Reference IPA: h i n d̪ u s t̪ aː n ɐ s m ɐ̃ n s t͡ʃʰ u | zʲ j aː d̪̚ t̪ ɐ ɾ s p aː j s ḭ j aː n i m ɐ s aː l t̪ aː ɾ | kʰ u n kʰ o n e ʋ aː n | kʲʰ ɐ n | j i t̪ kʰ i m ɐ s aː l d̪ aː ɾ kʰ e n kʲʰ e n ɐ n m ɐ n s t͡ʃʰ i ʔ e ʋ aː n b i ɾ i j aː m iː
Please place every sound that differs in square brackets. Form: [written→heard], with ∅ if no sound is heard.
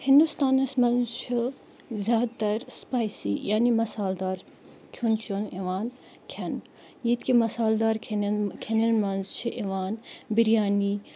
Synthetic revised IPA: h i n d̪ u s t̪ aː n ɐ s m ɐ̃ n [s→z] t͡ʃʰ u | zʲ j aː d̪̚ t̪ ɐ ɾ s p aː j s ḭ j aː n i m ɐ s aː l [t̪→d̪] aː ɾ | kʰ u n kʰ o n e ʋ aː n | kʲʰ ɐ n | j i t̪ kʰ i m ɐ s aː l d̪ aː ɾ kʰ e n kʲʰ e n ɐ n m ɐ n [s→z] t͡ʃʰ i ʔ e ʋ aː n b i ɾ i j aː [m→n] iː